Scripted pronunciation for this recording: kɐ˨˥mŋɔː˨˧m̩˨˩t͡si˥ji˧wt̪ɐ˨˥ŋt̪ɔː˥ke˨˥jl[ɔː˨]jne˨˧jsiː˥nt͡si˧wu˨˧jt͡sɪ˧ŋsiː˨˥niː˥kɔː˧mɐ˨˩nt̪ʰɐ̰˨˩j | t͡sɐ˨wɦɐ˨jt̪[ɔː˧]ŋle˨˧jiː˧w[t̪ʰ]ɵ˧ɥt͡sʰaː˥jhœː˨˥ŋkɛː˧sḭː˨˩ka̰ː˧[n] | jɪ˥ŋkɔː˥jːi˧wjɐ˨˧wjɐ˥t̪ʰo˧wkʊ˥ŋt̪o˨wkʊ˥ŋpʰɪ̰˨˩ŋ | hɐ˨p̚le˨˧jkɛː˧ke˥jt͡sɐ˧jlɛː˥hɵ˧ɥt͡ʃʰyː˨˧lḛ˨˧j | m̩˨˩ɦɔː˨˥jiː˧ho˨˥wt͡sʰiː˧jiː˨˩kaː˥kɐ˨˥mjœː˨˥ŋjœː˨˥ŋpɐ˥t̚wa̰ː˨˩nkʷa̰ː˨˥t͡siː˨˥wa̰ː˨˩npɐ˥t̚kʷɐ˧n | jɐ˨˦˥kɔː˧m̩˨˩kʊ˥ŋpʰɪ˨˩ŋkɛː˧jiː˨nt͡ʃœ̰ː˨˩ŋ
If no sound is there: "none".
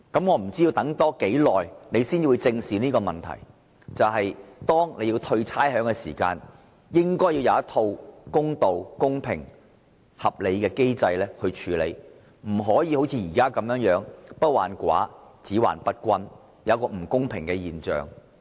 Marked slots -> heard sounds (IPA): ɔː˨, ɔː˥, t̪ʰ, n

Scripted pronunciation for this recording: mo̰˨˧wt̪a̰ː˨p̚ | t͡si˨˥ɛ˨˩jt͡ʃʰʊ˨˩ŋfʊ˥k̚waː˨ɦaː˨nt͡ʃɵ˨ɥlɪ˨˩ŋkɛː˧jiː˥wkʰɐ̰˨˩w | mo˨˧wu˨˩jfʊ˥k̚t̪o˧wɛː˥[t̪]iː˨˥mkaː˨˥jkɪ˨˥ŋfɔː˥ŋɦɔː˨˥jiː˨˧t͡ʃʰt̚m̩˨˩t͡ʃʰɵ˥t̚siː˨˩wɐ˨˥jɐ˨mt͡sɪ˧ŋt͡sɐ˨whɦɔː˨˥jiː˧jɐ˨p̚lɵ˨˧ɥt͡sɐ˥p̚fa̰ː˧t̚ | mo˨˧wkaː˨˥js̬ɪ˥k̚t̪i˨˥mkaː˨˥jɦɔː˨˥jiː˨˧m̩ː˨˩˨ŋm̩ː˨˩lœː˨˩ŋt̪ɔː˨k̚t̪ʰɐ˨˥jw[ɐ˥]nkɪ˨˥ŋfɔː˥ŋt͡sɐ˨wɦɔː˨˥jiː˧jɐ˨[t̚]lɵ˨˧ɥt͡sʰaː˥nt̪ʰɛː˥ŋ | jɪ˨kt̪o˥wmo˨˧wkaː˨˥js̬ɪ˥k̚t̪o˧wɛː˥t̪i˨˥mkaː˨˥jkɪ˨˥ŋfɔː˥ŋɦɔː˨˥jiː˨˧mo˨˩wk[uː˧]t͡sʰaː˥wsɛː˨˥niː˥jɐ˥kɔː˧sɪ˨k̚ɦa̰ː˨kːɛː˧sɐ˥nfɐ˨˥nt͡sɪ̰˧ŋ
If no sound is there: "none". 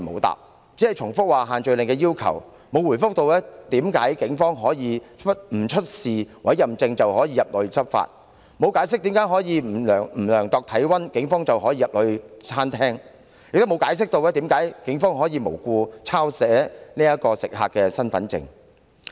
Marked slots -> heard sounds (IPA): t̪, ɐ˥, p̚, uː˧

